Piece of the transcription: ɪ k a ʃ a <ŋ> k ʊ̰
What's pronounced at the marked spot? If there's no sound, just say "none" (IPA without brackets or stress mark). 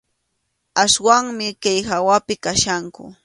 ŋ